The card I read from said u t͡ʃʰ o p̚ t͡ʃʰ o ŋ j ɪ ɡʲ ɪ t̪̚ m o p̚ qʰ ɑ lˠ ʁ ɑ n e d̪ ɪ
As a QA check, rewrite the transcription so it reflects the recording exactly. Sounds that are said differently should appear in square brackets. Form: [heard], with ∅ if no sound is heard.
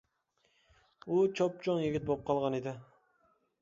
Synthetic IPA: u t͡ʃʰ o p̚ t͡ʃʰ o ŋ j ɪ ɡʲ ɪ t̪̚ [b] o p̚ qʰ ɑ lˠ ʁ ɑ n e d̪ ɪ